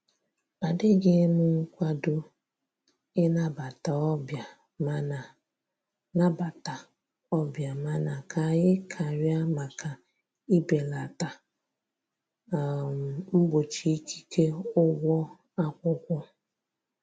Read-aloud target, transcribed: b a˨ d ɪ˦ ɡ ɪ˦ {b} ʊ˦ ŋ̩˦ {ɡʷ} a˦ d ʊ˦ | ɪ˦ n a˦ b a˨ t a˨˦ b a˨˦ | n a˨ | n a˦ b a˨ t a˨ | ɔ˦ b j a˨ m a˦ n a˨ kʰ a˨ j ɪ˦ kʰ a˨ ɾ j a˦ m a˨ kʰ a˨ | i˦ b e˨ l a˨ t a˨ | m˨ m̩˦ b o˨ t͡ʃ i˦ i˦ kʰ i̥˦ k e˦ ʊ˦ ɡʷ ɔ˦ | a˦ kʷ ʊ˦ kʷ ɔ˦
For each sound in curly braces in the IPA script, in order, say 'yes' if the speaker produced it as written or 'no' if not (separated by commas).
no, no